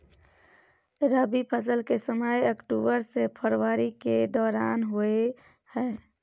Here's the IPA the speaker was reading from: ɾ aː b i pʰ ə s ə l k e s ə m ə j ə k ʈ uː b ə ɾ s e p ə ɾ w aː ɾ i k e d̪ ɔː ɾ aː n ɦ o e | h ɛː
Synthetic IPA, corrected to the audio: ɾ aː b i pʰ ə s ə l k e s ə m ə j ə k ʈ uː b ə ɾ s e pʰ ə ɾ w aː ɾ i k e d̪ ɔː ɾ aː n ɦ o e | h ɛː